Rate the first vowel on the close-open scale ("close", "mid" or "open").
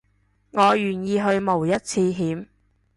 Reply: mid